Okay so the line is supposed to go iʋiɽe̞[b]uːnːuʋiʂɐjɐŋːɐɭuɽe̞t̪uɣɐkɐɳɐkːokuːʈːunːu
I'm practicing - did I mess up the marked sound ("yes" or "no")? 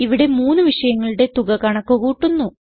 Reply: yes